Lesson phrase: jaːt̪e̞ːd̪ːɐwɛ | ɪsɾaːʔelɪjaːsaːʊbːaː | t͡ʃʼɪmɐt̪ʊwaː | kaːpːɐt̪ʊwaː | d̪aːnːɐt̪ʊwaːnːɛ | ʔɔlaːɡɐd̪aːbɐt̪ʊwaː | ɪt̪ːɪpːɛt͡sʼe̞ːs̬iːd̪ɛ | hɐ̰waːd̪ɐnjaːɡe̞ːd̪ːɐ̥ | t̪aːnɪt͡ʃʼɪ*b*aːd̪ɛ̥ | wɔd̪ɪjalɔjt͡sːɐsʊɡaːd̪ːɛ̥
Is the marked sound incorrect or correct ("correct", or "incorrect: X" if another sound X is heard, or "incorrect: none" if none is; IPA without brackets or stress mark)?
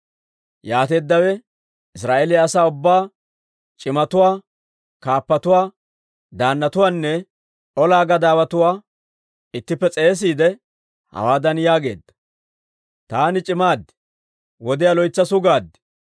incorrect: m